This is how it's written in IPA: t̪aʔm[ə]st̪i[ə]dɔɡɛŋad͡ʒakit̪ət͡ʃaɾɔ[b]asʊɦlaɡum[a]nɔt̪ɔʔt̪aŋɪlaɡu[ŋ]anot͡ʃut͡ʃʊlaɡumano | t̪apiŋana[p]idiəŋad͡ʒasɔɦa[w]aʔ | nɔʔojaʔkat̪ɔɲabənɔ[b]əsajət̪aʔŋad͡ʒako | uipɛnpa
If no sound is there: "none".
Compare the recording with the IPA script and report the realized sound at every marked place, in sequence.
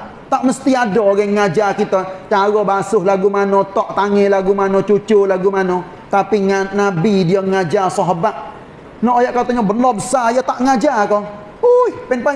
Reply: ə, a, b, a, m, b, b, b

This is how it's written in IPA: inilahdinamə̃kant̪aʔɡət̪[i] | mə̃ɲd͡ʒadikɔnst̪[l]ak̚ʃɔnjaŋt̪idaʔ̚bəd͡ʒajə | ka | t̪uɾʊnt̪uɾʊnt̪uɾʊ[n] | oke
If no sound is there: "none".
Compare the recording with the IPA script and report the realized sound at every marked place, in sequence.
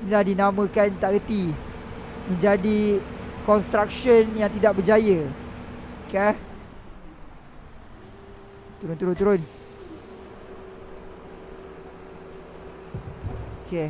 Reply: i, ɾ, n

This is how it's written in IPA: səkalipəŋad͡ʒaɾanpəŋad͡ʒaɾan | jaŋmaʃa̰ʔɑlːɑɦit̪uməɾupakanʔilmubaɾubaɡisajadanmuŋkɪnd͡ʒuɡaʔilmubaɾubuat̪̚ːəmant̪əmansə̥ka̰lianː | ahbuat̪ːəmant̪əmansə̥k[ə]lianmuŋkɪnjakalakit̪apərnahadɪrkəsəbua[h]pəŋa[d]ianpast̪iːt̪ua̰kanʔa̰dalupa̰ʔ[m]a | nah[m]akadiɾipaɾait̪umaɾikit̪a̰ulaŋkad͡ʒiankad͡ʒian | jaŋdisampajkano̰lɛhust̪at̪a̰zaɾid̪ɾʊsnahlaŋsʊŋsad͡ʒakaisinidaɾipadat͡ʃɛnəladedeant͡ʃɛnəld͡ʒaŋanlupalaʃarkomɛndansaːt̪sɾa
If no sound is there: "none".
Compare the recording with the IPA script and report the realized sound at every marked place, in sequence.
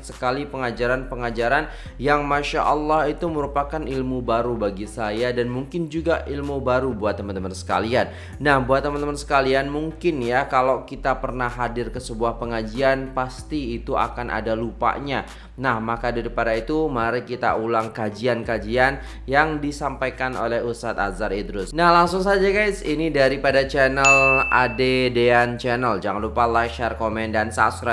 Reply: a, h, d͡ʒ, ɲ, m

